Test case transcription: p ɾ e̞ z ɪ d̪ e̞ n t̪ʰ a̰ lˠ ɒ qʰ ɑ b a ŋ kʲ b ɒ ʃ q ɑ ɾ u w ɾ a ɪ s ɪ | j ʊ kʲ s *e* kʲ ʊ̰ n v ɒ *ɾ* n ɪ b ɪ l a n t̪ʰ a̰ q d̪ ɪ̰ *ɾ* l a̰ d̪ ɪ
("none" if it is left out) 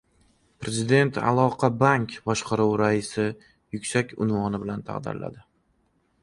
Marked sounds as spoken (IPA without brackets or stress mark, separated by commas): a, none, ɾ